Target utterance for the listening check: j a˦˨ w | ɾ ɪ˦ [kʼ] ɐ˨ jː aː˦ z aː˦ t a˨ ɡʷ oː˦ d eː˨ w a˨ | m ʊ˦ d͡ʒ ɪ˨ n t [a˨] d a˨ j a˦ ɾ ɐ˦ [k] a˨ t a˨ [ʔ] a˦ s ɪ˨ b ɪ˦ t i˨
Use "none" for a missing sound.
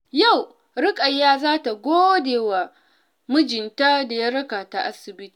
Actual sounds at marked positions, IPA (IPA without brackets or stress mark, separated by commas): kʼ, a˦, k, ʔ